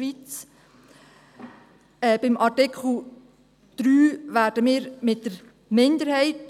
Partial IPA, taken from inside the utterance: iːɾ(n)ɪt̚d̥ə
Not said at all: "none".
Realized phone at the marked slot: m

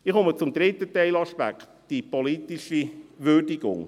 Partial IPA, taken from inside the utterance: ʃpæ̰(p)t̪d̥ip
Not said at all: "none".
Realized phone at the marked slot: k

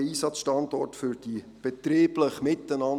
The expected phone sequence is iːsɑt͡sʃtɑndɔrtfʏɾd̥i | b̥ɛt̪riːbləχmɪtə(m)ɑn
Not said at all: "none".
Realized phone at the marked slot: n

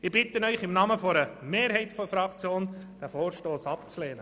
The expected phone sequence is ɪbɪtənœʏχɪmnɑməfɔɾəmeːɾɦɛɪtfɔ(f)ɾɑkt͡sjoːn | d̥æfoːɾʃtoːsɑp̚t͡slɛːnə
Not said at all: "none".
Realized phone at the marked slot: f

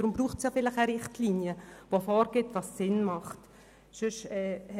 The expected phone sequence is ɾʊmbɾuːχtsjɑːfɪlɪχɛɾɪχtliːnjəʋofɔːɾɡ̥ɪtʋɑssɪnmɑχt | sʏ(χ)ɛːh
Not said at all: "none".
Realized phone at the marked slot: ʃ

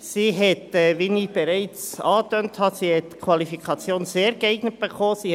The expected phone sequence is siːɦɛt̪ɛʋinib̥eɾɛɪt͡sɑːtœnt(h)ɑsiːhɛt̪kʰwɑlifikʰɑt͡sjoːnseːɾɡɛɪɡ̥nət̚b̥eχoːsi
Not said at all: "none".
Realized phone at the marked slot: h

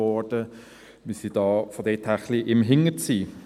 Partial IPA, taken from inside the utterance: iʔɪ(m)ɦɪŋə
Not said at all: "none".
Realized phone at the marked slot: m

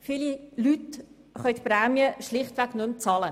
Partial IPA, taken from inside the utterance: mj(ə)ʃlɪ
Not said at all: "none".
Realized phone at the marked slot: ə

